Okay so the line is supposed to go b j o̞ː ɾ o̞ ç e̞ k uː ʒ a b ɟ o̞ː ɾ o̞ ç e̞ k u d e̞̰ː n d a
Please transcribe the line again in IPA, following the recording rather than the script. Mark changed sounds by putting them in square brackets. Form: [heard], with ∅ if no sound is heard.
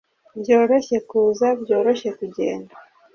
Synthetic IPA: b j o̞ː ɾ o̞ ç e̞ k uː [z] a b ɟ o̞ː ɾ o̞ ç e̞ k u [ɟ] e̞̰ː n d a